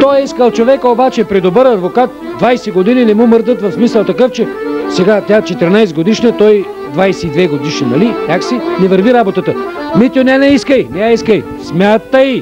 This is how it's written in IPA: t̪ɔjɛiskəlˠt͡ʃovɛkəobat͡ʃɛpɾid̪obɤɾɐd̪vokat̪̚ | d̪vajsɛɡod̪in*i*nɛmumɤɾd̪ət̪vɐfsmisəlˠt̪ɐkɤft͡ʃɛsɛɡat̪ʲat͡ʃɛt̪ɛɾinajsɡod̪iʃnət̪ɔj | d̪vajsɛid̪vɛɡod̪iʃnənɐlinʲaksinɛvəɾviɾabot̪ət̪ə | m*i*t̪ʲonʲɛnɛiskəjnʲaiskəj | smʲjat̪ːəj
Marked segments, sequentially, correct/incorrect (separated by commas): correct, correct